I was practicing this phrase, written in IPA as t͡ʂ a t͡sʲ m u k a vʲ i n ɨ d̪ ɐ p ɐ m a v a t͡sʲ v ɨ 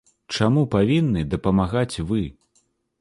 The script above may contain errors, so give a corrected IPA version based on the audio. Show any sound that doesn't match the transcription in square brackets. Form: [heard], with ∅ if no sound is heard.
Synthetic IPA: t͡ʂ a [∅] m u [p] a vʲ i [nː] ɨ d̪ ɐ p ɐ m a [ɣ] a t͡sʲ v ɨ